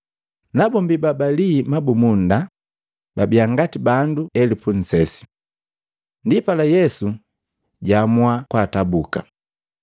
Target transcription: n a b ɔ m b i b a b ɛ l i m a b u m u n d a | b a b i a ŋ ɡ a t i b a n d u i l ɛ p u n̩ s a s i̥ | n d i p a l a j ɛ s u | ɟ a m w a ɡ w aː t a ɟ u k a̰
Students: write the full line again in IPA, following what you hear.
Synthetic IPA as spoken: n a b ɔ m b i b a b a l i m a b u m u n d a | b a b i a ŋ ɡ a t i b a n d u ɛ l i p u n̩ s ɛ s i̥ | n d i p a l a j ɛ s u | ɟ a m w a k w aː t a b u k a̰